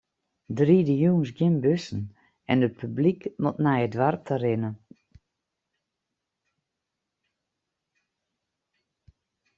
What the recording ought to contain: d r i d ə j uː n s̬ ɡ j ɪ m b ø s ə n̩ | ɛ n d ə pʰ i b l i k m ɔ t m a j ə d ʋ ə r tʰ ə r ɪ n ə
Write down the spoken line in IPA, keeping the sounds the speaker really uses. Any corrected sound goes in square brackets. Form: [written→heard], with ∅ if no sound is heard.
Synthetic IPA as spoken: d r i d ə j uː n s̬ ɡ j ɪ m b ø s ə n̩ | ɛ n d ə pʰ [i→y] b l i k m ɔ t [m→n] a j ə d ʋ [ə→a] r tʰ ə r ɪ n ə

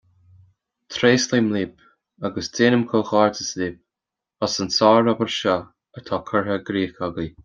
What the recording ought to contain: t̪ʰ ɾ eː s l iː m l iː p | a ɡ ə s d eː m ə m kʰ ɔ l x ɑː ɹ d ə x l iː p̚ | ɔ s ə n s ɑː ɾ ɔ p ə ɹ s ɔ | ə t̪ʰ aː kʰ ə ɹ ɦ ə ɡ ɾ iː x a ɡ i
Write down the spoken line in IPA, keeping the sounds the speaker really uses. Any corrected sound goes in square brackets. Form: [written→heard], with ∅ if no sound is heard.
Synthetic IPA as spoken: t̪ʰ ɾ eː s l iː m l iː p | a ɡ ə s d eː [m→n] ə m kʰ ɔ l x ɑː ɹ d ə [x→s] l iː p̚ | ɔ s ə n s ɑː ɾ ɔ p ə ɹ [s→ʃ] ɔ | ə t̪ʰ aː kʰ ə ɹ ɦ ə ɡ ɾ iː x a ɡ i

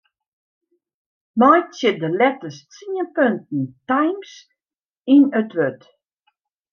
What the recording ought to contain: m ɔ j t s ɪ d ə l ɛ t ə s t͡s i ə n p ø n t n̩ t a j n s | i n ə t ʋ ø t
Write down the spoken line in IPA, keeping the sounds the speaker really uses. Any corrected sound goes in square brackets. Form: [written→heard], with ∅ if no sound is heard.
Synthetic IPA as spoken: m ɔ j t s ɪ d ə l ɛ t ə s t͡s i ə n p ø n t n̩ t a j [n→m] s | i n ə t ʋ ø t

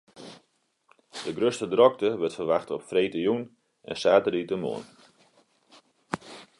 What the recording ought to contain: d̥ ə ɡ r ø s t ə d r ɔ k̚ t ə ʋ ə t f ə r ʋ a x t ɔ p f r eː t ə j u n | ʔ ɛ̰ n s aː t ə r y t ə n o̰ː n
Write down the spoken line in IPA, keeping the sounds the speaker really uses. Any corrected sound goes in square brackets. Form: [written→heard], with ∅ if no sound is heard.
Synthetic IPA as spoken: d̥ ə ɡ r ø s t ə d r ɔ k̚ t ə ʋ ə t f ə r ʋ a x t ɔ p f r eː t ə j u n | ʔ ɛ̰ n s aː t ə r [y→i] t ə [n→m] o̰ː n

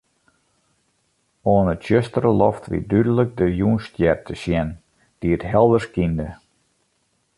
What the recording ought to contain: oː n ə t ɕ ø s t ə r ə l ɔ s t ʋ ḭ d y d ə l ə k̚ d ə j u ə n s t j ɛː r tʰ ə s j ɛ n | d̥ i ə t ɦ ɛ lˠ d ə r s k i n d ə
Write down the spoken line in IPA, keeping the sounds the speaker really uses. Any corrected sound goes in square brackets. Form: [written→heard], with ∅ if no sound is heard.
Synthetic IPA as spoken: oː n ə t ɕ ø s t ə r ə l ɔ [s→f] t ʋ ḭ d y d ə l ə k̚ d ə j u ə n s t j [ɛː→ɛ] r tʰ ə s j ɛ n | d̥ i ə t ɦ ɛ lˠ d ə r s k i n d ə

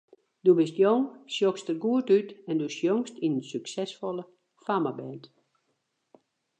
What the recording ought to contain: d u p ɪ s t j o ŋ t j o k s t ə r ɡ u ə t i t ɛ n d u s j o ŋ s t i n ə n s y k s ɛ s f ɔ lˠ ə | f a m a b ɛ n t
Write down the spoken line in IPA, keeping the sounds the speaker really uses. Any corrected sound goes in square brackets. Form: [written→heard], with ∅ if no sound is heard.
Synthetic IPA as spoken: d u [p→b] ɪ s t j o ŋ [t→s] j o k s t ə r ɡ u ə t [i→y] t ɛ n d u s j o ŋ s t i n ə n s y k s ɛ s f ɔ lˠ ə | f a m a b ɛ n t

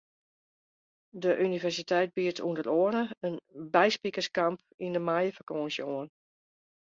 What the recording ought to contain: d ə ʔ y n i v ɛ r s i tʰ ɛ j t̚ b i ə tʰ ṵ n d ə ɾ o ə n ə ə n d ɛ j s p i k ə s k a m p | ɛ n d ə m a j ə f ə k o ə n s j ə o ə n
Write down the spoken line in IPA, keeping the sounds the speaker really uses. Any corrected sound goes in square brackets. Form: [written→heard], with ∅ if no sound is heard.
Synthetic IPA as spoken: d ə ʔ y n i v ɛ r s i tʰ ɛ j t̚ b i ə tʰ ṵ n d ə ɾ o ə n ə ə n [d→b] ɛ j s p i k ə s k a m p | [ɛ→i] n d ə m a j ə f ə k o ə n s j ə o ə n

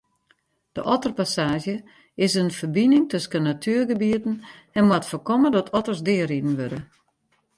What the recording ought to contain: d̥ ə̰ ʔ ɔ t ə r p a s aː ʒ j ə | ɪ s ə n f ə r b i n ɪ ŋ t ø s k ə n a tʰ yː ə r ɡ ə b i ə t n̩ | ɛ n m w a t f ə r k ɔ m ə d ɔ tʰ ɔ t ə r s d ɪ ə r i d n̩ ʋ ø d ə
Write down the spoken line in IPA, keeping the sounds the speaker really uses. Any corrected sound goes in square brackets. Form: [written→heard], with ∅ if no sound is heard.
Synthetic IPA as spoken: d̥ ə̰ ʔ ɔ t ə r p a s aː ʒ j ə | ɪ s ə n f ə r b i n ɪ ŋ t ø s k ə n a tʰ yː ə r ɡ ə b i ə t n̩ | ɛ n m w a t f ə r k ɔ m ə d ɔ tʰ ɔ t ə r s d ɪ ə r i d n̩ ʋ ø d ə

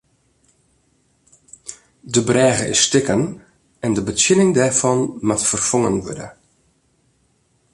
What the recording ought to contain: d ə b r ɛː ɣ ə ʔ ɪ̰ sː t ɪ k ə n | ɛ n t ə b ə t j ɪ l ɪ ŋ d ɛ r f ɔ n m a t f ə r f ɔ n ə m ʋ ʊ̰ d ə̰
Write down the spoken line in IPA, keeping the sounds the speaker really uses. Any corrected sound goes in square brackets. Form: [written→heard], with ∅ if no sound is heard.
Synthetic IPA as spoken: d ə b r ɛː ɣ ə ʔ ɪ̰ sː t ɪ k ə n | ɛ n [t→d] ə b ə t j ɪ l ɪ ŋ d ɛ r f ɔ n m a t f ə r f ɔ [n→ŋ] ə [m→n] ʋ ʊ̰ d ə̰

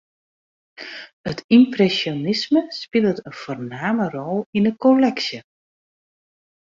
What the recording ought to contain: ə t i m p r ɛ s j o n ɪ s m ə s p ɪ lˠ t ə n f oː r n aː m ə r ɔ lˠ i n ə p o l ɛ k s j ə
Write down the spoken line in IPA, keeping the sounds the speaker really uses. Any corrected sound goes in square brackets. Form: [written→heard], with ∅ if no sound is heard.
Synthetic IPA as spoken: ə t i m p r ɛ s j o n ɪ s m ə s p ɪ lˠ t ə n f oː r n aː m ə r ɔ lˠ i n ə [p→k] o l ɛ k s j ə

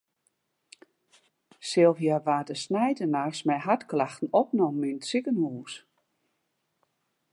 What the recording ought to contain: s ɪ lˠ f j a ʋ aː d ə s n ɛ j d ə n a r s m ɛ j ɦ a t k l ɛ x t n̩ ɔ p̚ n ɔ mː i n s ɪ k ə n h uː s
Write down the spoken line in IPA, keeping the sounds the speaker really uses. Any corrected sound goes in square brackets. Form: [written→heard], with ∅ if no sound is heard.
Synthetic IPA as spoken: s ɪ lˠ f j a ʋ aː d ə s n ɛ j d ə n a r s m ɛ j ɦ a t k l [ɛ→a] x t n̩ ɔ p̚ n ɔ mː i n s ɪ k ə n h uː s

